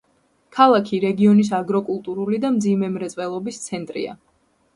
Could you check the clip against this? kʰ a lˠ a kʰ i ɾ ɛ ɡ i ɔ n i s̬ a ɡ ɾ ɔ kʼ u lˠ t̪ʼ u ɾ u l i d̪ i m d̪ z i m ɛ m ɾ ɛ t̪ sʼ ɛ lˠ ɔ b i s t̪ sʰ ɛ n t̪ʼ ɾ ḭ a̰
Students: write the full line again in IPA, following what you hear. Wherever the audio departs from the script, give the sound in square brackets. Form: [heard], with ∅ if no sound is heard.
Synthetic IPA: kʰ a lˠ a kʰ i ɾ ɛ ɡ i ɔ n i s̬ a ɡ ɾ ɔ kʼ u lˠ t̪ʼ u ɾ u l i d̪ [a] m d̪ z i m ɛ m ɾ ɛ t̪ sʼ ɛ lˠ ɔ b i s t̪ sʰ ɛ n t̪ʼ ɾ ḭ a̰